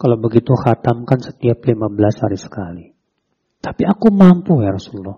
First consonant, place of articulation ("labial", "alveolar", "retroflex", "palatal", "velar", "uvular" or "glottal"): velar